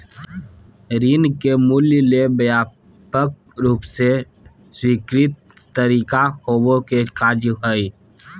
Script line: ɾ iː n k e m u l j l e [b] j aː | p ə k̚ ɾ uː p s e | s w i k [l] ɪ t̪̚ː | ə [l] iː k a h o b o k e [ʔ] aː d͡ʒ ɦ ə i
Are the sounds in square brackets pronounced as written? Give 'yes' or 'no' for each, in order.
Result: yes, no, no, no

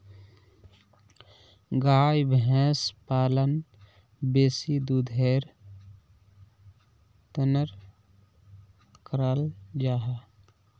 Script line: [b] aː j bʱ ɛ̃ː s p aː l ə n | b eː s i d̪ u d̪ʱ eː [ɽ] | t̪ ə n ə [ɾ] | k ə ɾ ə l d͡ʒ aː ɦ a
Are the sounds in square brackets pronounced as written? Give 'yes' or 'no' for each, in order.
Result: no, no, yes

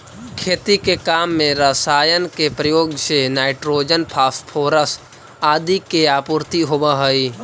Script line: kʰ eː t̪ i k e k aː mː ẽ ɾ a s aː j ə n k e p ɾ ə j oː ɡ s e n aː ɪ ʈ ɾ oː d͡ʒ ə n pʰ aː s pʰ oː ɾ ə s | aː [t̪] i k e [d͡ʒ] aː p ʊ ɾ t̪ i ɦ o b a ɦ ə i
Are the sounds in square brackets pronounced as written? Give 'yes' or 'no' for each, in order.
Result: no, no

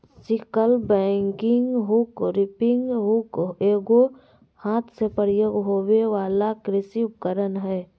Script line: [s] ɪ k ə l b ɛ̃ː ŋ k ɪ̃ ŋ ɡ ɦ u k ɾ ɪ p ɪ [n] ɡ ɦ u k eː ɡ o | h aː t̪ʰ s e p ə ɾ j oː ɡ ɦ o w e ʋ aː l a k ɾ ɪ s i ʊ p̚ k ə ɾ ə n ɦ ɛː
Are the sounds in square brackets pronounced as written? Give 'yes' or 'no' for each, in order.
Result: yes, no

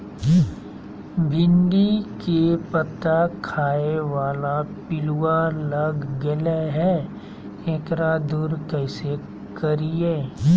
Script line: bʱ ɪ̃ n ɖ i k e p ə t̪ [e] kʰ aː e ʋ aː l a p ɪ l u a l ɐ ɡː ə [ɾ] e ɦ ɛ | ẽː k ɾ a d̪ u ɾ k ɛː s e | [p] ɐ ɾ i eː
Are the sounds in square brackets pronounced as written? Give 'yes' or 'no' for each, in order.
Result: no, no, no

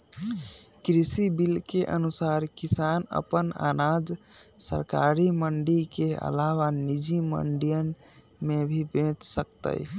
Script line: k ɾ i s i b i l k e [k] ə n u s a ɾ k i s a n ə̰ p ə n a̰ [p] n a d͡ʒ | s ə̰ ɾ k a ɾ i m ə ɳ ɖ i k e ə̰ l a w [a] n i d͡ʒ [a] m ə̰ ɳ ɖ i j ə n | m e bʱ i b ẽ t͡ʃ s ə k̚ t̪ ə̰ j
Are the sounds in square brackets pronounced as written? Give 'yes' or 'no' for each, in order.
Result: no, no, yes, no

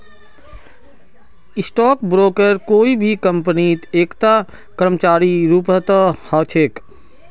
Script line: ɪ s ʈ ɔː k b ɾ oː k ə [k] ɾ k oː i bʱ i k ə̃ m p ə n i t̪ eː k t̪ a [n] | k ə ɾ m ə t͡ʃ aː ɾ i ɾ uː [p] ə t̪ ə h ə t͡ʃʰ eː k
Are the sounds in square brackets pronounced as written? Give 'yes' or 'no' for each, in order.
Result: no, no, yes

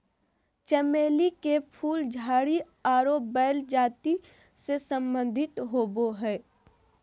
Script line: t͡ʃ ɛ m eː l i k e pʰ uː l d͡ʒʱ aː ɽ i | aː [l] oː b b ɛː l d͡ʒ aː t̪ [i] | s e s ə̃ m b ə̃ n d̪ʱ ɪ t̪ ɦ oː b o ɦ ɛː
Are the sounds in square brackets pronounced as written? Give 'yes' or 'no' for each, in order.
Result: no, yes

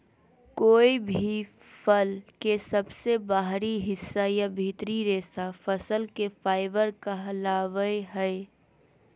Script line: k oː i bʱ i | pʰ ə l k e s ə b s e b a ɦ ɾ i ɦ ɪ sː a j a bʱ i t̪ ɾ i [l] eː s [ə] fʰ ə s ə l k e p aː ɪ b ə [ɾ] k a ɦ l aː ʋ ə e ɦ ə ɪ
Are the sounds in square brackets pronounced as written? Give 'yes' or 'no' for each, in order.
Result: no, no, yes

